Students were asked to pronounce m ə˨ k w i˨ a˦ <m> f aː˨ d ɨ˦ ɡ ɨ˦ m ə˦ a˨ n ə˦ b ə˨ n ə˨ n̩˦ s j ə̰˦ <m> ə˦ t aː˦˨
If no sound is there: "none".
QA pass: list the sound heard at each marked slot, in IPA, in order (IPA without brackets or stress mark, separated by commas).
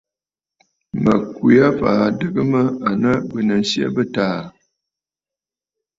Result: none, b